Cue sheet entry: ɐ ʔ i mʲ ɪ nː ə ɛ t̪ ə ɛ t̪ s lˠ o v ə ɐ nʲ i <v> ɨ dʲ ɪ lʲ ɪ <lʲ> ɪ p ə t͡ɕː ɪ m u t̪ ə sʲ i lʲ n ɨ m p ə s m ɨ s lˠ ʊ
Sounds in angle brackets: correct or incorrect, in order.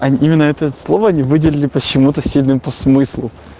correct, correct

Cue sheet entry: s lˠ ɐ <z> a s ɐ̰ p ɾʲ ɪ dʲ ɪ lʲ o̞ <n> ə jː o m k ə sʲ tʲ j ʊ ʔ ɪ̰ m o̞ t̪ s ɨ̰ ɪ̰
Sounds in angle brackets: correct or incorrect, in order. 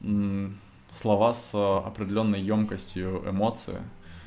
incorrect: v, incorrect: nː

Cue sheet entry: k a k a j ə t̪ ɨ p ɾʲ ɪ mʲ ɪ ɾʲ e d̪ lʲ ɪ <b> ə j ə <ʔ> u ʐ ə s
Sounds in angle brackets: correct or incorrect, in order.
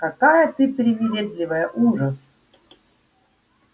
incorrect: v, correct

